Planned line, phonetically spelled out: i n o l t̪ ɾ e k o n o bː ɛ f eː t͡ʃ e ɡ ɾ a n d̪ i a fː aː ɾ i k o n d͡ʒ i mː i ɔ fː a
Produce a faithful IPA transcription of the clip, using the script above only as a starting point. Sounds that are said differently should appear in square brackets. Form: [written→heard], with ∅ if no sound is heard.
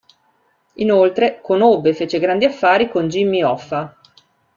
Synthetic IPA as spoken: i n o l t̪ ɾ e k o n o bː [ɛ→e] f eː t͡ʃ e ɡ ɾ a n d̪ i a fː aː ɾ i k o n d͡ʒ i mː i ɔ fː a